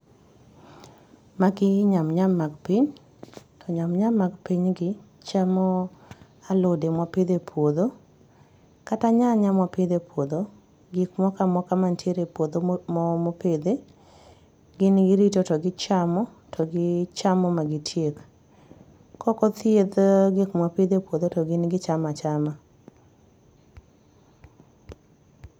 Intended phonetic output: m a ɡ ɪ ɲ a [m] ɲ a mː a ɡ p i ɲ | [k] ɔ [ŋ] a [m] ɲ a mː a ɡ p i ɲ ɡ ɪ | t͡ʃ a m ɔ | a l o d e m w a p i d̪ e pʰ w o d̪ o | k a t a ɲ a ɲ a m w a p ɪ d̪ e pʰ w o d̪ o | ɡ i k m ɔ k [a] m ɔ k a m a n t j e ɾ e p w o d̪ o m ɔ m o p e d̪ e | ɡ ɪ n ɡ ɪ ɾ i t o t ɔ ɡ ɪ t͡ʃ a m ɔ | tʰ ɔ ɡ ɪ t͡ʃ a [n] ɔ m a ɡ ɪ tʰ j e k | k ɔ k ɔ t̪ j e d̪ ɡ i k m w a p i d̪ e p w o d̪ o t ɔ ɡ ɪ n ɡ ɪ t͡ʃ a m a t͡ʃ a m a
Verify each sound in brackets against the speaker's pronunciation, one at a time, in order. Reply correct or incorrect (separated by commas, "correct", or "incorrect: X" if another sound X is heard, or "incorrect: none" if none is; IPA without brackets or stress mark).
correct, incorrect: t, incorrect: ɲ, correct, correct, incorrect: m